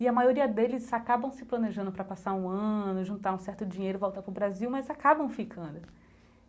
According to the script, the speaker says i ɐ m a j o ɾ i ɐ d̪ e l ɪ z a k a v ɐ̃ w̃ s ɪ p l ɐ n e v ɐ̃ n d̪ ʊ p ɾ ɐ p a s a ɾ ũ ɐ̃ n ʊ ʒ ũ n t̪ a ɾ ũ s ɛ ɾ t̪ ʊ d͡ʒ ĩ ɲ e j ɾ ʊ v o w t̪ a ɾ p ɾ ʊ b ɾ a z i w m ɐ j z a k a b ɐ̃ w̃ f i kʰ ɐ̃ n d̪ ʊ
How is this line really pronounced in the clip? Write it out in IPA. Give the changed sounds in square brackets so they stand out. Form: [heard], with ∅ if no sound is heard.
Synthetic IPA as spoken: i ɐ m a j o ɾ i ɐ d̪ e l ɪ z a k a [b] ɐ̃ w̃ s ɪ p l ɐ n e [ʒ] ɐ̃ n d̪ ʊ p ɾ ɐ p a s a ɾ ũ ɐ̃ n ʊ ʒ ũ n t̪ a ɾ ũ s ɛ ɾ t̪ ʊ d͡ʒ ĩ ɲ e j ɾ ʊ v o w t̪ a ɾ p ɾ ʊ b ɾ a z i w m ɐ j z a k a b ɐ̃ w̃ f i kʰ ɐ̃ n d̪ ʊ